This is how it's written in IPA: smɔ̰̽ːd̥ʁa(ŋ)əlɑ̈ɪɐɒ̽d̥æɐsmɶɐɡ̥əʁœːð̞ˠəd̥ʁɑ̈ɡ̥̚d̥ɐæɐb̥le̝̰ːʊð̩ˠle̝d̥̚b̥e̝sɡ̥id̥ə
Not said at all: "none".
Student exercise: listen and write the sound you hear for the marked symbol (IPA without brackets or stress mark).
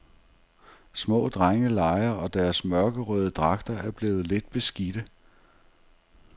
ŋ